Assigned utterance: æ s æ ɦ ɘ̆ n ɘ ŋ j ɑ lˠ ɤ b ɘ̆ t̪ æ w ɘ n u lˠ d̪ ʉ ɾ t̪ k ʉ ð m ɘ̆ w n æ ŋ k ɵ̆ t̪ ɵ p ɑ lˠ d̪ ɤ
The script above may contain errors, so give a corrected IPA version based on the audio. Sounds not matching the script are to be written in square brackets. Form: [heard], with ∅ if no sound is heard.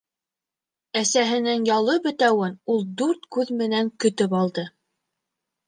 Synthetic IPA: æ s æ ɦ ɘ̆ n ɘ ŋ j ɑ lˠ ɤ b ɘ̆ t̪ æ w ɘ n u lˠ d̪ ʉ ɾ t̪ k ʉ ð m ɘ̆ [∅] n æ ŋ k ɵ̆ t̪ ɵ p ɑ lˠ d̪ ɤ